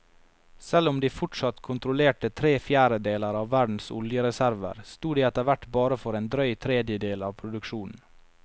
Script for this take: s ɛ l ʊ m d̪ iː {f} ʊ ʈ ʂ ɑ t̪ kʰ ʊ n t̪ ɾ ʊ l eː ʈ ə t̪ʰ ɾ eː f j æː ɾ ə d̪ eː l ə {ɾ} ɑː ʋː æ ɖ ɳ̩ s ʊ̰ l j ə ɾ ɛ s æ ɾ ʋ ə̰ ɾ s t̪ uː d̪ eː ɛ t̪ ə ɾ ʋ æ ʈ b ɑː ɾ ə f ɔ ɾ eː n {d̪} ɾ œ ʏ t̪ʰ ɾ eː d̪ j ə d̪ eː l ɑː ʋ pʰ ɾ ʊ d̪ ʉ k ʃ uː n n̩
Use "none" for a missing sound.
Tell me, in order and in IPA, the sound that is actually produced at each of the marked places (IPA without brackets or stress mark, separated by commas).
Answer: f, ɾ, d̪